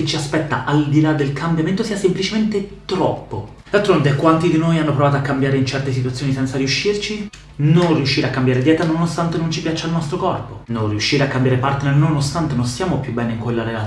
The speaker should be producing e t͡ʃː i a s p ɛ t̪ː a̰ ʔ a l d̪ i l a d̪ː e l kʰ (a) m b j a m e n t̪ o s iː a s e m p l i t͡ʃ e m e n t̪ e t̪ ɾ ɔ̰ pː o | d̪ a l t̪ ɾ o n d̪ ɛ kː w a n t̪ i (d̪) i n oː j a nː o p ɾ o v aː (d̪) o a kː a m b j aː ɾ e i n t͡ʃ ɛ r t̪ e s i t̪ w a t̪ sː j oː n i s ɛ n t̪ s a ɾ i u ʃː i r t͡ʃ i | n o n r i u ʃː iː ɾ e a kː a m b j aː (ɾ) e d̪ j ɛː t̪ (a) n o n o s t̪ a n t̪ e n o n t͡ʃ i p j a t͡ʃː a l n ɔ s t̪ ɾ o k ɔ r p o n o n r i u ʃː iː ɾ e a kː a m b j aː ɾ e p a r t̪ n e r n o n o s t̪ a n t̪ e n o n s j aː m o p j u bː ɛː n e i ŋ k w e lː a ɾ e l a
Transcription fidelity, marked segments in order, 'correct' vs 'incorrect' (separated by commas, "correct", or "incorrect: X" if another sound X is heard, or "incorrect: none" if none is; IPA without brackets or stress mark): correct, correct, incorrect: t̪, correct, correct